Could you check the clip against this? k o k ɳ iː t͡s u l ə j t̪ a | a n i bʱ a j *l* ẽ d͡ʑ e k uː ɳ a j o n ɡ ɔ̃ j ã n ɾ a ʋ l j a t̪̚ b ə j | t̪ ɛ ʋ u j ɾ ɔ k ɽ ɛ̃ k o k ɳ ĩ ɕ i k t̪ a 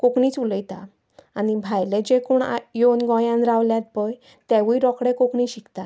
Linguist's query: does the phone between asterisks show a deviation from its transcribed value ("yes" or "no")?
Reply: no